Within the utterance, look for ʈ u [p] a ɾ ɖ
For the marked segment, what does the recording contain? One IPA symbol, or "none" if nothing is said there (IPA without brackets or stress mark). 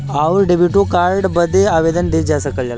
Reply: k